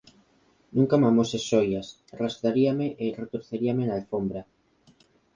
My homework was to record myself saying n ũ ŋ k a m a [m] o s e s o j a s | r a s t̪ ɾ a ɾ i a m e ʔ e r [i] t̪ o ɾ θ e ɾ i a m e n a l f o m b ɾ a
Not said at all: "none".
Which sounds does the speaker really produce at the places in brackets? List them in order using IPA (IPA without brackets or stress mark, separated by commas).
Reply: m, e